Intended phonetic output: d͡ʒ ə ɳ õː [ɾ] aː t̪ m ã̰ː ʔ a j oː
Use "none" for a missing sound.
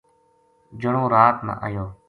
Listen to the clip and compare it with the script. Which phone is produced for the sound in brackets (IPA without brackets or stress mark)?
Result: ɾ